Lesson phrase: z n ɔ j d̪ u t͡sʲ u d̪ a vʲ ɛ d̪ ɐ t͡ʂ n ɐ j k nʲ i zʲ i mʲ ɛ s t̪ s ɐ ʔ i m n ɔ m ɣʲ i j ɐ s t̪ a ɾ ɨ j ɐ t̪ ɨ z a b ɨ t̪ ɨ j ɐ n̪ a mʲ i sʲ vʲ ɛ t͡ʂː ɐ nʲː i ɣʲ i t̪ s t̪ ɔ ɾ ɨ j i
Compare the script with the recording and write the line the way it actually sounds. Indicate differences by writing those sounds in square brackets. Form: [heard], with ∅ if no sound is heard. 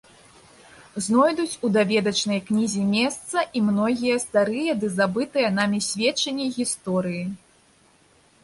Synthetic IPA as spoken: z n ɔ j d̪ u t͡sʲ u d̪ a vʲ ɛ d̪ ɐ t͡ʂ n ɐ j k nʲ i zʲ i mʲ ɛ s t̪ s ɐ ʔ i m n ɔ [∅] ɣʲ i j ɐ s t̪ a ɾ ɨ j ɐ [d̪] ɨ z a b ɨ t̪ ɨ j ɐ n̪ a mʲ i sʲ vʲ ɛ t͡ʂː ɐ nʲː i ɣʲ i [∅] s t̪ ɔ ɾ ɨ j i